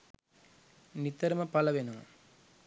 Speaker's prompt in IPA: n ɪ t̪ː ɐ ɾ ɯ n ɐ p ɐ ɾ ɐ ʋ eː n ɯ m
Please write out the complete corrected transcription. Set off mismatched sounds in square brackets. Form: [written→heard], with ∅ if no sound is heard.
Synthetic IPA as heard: n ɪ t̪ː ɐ ɾ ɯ [n→m] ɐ p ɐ [ɾ→l] ɐ ʋ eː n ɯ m